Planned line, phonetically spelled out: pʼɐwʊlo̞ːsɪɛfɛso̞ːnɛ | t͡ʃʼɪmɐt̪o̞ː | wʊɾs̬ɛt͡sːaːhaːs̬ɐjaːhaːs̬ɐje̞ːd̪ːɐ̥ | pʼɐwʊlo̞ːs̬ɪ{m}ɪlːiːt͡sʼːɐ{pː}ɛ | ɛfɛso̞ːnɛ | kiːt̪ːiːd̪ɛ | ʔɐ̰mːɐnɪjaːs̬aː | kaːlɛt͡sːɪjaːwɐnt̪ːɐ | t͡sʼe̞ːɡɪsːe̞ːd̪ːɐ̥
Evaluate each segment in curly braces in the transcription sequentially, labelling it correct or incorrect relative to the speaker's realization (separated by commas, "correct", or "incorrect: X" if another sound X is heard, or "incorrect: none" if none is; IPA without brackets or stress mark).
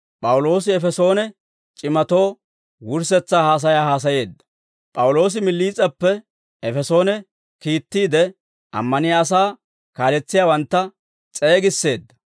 correct, correct